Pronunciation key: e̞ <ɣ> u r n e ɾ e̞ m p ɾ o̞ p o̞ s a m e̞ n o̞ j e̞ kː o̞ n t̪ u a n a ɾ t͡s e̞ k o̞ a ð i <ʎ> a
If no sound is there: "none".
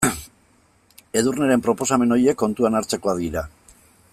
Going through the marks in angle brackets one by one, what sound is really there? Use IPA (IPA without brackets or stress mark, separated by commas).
ð, ɾ